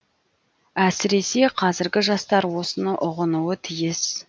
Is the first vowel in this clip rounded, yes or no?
no